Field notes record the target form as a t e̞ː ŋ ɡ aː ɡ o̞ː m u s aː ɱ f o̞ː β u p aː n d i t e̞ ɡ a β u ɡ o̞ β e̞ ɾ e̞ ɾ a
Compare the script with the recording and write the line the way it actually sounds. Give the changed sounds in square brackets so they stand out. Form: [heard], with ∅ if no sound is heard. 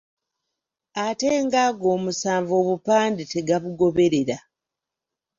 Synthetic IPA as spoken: a t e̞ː ŋ ɡ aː ɡ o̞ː m u s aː ɱ [v] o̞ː β u p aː n d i t e̞ ɡ a β u ɡ o̞ β e̞ ɾ e̞ ɾ a